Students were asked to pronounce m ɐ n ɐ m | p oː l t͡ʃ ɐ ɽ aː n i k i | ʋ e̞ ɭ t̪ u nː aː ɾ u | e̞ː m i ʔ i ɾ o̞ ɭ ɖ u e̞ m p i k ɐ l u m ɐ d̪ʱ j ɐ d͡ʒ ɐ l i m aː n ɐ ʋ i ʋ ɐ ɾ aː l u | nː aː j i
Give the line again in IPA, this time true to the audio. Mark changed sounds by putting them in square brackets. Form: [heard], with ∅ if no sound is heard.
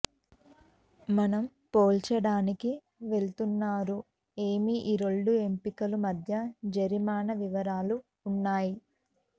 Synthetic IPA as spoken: m ɐ n ɐ m | p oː l t͡ʃ ɐ ɽ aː n i k i | ʋ e̞ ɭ t̪ u nː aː ɾ u | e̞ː m i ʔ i ɾ o̞ ɭ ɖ u e̞ m p i k ɐ l u m ɐ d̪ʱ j ɐ d͡ʒ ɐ [ɾ] i m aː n ɐ ʋ i ʋ ɐ ɾ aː l [uː] | nː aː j i

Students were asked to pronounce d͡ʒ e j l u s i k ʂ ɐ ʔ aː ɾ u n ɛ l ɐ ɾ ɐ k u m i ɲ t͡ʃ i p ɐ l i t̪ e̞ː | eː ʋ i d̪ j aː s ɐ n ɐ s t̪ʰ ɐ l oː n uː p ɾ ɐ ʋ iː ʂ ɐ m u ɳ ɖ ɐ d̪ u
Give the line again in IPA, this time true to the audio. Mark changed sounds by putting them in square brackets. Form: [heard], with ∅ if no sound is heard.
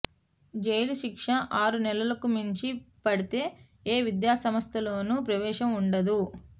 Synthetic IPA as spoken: d͡ʒ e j l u [ʃ] i k ʂ ɐ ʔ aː ɾ u n ɛ l ɐ [l] ɐ k u m i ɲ t͡ʃ i p ɐ [ɽ] i t̪ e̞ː | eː ʋ i d̪ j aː s ɐ [m] ɐ s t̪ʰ ɐ l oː n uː p ɾ ɐ ʋ [ɛː] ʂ ɐ m u ɳ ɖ ɐ d̪ u

